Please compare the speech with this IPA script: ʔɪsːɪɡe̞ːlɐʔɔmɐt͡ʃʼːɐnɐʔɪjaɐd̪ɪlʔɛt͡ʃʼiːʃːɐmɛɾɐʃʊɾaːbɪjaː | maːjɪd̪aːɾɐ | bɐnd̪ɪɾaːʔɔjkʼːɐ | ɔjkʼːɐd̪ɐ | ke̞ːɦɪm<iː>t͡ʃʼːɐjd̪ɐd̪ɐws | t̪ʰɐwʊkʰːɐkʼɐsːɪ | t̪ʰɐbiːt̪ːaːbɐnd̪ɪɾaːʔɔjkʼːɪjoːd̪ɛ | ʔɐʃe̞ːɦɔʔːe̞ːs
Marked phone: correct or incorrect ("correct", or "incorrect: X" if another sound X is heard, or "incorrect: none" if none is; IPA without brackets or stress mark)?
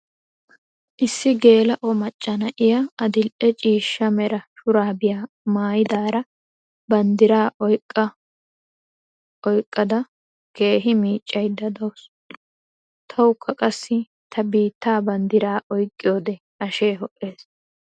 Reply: correct